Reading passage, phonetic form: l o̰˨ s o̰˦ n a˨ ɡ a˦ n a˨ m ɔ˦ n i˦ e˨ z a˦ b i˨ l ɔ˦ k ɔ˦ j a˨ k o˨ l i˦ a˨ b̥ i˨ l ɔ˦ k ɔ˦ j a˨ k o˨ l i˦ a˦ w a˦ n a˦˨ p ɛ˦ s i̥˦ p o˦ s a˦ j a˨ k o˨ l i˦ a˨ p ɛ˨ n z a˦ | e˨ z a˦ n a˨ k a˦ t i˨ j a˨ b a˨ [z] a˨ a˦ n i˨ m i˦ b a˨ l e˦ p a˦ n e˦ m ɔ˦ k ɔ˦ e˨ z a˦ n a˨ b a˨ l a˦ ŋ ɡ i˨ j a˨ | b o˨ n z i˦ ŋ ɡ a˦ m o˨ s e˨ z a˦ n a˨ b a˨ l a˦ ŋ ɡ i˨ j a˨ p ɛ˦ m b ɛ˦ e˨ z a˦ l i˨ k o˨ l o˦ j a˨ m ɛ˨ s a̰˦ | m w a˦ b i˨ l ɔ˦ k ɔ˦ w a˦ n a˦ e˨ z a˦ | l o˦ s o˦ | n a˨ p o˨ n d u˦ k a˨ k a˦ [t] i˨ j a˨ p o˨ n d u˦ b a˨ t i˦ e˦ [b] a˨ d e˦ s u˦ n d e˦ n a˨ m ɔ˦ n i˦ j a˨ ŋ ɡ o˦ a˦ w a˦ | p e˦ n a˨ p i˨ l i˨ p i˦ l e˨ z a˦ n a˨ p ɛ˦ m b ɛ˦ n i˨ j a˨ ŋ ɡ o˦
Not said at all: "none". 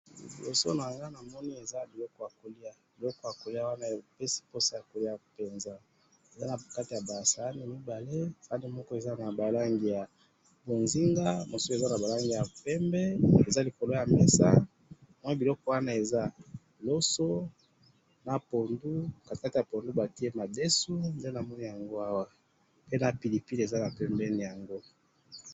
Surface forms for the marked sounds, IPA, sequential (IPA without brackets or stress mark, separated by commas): s, t, m